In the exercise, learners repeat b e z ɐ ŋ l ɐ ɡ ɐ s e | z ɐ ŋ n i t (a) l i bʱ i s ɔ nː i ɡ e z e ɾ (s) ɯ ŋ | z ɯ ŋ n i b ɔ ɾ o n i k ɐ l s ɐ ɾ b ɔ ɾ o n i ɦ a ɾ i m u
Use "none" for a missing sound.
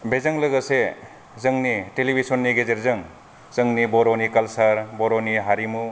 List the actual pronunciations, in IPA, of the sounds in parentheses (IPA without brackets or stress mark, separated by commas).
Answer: e, z